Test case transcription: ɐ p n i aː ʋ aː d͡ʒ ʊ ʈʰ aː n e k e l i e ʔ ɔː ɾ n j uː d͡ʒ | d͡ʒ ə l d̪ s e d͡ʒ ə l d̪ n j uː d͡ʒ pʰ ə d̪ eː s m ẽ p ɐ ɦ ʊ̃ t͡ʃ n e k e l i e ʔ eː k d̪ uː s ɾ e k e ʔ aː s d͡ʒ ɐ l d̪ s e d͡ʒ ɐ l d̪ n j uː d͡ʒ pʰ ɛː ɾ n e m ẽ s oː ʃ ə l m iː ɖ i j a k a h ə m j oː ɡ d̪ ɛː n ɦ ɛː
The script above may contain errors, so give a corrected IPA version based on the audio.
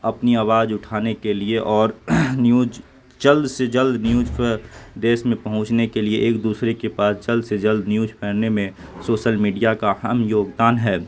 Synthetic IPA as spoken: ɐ p n i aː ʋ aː d͡ʒ ʊ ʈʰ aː n e k e l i e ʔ ɔː ɾ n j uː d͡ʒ | d͡ʒ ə l d̪ s e d͡ʒ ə l d̪ n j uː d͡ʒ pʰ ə d̪ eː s m ẽ p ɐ ɦ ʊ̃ t͡ʃ n e k e l i e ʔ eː k d̪ uː s ɾ e k e p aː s d͡ʒ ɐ l d̪ s e d͡ʒ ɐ l d̪ n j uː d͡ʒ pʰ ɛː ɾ n e m ẽ s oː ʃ ə l m iː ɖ i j a k a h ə m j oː ɡ d̪ aː n ɦ ɛː

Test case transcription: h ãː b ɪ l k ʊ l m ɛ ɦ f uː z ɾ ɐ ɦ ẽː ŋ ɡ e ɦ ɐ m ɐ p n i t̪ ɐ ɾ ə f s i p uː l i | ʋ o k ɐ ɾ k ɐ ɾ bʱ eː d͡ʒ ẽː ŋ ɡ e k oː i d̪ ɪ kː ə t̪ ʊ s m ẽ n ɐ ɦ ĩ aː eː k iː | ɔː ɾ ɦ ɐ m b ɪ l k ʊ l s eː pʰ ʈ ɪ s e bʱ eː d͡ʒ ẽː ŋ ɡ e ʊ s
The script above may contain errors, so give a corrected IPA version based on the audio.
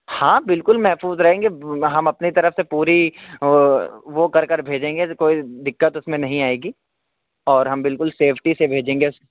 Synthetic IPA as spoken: h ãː b ɪ l k ʊ l m ɛ ɦ f uː z ɾ ɐ ɦ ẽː ŋ ɡ e ɦ ɐ m ɐ p n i t̪ ɐ ɾ ə f s e p uː ɾ i | ʋ o k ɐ ɾ k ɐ ɾ bʱ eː d͡ʒ ẽː ŋ ɡ e k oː i d̪ ɪ kː ə t̪ ʊ s m ẽ n ɐ ɦ ĩ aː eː ɡ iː | ɔː ɾ ɦ ɐ m b ɪ l k ʊ l s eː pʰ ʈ i s e bʱ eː d͡ʒ ẽː ŋ ɡ e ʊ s

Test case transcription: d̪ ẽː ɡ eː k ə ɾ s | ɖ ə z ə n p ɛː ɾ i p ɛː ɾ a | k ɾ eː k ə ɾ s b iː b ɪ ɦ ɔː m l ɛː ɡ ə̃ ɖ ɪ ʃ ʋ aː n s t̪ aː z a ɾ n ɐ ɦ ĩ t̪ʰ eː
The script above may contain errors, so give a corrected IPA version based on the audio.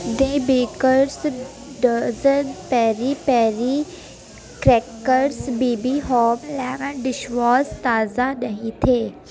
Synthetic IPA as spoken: d̪ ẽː b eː k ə ɾ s | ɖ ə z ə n p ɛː ɾ i p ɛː ɾ i | k ɾ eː k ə ɾ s b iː b i ɦ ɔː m l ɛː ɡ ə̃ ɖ ɪ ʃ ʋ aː s t̪ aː z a n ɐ ɦ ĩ t̪ʰ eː

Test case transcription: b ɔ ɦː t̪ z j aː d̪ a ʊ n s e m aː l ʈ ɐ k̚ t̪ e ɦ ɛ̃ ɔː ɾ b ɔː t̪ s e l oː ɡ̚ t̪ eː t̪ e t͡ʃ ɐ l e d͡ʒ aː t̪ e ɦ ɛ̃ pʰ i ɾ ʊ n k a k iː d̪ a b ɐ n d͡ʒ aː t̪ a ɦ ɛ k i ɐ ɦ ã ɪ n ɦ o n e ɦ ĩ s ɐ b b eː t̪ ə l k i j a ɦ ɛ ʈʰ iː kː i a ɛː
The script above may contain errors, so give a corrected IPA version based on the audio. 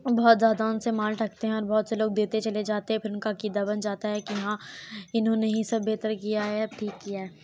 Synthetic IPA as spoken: b ɔ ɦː t̪ z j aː d̪ a ʊ n s e m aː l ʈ ɐ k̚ t̪ e ɦ ɛ̃ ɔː ɾ b ɔː t̪ s e l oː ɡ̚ d̪ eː t̪ e t͡ʃ ɐ l e d͡ʒ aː t̪ e ɦ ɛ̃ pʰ ɪ ɾ ʊ n k a k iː d̪ a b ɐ n d͡ʒ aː t̪ a ɦ ɛ k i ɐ ɦ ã ɪ n ɦ õ n e ɦ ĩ s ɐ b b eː t̪ ə ɾ k i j a ɦ ɛ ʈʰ iː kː i a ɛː

